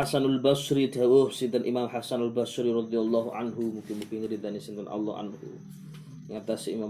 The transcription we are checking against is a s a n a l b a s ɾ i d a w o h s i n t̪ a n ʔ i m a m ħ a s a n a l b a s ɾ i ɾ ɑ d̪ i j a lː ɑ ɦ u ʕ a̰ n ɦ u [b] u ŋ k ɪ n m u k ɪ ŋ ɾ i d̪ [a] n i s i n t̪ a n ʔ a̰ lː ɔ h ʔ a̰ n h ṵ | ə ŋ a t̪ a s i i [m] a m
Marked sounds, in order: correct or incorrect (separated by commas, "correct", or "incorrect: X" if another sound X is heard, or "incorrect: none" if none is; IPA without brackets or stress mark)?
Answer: incorrect: m, correct, correct